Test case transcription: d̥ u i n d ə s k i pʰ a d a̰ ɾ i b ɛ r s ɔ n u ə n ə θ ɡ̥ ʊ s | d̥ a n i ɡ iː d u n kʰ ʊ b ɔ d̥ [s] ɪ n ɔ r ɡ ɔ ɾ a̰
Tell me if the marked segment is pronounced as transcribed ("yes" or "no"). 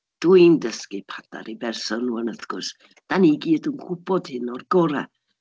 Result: no